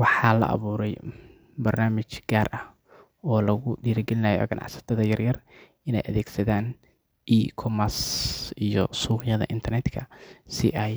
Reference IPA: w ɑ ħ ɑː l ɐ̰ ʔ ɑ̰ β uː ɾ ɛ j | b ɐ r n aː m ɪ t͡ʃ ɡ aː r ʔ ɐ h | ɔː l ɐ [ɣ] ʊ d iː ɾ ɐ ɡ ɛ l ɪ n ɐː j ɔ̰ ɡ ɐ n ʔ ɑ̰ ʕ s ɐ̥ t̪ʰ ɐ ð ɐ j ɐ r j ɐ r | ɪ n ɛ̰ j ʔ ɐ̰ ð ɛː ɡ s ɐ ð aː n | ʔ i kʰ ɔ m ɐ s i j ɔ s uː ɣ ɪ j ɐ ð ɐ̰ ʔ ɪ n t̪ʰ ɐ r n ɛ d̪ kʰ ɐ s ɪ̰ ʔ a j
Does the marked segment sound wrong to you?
no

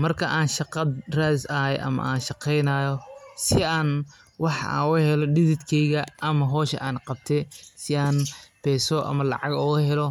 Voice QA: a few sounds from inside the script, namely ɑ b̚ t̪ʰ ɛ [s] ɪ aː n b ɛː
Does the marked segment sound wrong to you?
no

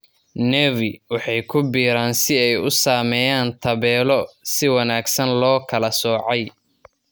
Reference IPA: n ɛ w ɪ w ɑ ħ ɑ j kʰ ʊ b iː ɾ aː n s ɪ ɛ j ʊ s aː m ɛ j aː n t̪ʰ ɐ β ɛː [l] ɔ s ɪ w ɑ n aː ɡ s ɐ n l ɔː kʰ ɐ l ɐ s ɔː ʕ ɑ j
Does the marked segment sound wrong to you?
no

